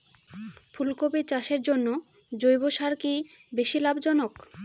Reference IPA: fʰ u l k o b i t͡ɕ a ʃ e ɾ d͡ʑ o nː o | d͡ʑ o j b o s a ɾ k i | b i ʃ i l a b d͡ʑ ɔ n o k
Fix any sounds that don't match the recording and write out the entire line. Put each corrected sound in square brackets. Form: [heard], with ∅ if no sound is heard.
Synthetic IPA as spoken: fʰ u l k o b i t͡ɕ a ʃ e ɾ d͡ʑ o nː o | d͡ʑ o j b o [ʃ] a ɾ k i | b [e] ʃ i l a b d͡ʑ ɔ n o k